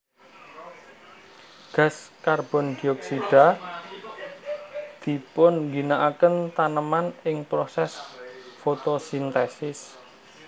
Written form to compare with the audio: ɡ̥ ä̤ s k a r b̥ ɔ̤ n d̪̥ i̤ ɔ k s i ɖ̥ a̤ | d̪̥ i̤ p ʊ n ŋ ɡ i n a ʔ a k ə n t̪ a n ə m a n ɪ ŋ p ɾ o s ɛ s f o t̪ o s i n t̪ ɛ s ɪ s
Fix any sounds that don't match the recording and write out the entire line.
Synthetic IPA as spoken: ɡ̥ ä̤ s k a r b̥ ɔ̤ n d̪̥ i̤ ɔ k s i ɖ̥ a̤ | d̪̥ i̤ p ʊ n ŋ ɡ i n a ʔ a k ə n t̪ a n ə m a n ɪ ŋ p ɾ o s ɛ s f o t̪ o s i n t̪ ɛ s ɪ s